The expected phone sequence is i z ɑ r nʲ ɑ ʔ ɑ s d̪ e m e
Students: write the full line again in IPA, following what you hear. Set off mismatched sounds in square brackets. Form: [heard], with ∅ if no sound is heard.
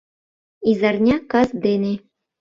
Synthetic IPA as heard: i z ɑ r nʲ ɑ [k] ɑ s d̪ e [n] e